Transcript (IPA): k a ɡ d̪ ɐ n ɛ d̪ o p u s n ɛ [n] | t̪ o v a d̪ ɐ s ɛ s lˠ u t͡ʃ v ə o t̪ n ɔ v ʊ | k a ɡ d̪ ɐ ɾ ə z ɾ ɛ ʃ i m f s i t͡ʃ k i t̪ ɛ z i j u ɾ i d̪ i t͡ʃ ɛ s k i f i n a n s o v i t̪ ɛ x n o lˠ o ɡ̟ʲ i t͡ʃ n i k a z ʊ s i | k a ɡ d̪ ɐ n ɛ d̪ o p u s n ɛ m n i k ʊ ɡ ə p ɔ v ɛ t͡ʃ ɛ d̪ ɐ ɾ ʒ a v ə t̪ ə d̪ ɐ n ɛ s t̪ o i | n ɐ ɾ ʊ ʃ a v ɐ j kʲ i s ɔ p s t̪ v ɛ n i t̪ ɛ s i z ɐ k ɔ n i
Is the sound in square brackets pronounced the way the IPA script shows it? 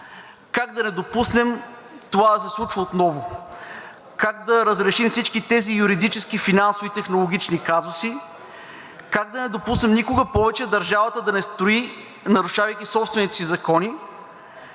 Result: no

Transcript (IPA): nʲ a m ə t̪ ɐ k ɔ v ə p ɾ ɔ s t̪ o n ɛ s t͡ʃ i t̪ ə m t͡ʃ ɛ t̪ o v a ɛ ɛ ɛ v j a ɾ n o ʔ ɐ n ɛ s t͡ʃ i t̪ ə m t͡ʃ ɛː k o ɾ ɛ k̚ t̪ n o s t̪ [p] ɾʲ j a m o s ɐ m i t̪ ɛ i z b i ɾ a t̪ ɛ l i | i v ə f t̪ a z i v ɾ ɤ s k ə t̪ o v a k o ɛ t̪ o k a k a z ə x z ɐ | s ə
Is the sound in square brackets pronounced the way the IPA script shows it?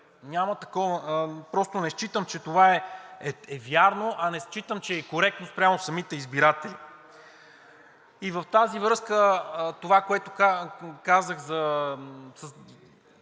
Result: yes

